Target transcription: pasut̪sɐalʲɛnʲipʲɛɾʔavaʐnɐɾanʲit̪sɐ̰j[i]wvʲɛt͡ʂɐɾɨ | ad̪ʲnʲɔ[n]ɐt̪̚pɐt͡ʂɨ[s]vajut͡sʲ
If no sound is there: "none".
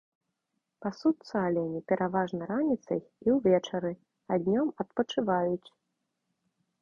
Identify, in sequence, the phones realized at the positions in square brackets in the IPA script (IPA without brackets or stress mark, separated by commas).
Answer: i, m, none